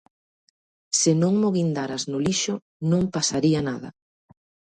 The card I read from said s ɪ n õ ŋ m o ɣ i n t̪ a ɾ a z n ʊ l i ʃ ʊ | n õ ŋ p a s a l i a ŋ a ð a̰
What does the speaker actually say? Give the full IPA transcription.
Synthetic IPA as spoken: s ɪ n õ ŋ m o ɣ i n d̪ a ɾ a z n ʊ l i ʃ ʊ | n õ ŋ p a s a ɾ i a n a ð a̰